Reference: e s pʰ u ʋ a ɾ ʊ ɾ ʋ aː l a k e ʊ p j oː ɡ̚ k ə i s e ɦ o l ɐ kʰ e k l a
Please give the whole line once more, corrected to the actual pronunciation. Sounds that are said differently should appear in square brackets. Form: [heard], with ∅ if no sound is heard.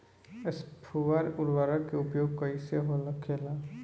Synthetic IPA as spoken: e s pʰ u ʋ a ɾ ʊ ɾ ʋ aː [ɾ] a k e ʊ p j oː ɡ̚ k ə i s e ɦ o l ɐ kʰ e [∅] l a